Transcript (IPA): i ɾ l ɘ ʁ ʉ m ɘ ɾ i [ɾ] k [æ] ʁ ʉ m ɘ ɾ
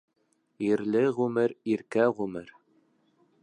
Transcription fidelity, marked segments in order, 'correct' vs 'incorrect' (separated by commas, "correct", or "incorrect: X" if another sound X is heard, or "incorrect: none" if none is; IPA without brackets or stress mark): correct, correct